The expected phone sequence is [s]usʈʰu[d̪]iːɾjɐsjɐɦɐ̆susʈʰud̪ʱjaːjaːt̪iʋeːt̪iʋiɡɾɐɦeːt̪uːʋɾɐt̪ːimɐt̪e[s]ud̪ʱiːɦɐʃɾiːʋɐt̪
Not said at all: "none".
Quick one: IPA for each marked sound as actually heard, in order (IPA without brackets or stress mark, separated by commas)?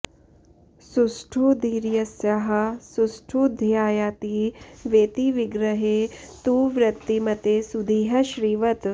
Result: s, d̪, s